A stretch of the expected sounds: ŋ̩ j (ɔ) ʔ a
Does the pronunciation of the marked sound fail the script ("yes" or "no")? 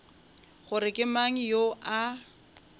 yes